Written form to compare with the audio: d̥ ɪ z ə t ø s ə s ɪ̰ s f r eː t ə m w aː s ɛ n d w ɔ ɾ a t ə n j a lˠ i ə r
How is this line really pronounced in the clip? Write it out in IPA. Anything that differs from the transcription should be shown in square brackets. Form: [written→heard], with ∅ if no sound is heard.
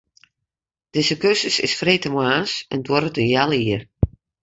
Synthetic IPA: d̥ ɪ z ə [t→k] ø s ə s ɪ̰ s f r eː t ə m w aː s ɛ n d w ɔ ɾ [a→ə] t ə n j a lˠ i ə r